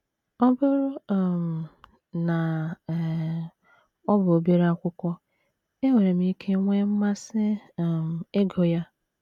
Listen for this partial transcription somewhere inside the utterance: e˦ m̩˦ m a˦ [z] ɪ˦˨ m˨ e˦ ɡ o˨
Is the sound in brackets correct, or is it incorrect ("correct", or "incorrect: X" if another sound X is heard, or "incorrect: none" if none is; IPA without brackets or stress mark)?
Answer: incorrect: s